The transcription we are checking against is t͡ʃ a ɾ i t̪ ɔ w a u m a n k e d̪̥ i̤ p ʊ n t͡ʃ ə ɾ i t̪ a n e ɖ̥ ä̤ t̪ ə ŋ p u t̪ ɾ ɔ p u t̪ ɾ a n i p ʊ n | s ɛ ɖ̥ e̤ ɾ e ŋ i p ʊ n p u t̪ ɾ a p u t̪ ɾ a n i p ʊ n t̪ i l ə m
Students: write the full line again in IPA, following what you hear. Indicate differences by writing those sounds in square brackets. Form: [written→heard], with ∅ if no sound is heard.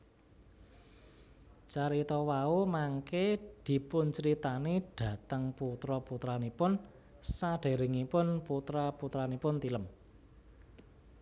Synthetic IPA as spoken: t͡ʃ a ɾ i t̪ ɔ w a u m a [n→ŋ] k e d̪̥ i̤ p ʊ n t͡ʃ ə ɾ i t̪ a n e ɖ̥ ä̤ t̪ ə ŋ p u t̪ ɾ ɔ p u t̪ ɾ a n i p ʊ n | s [ɛ→a] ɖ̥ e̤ ɾ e ŋ i p ʊ n p u t̪ ɾ a p u t̪ ɾ a n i p ʊ n t̪ i l ə m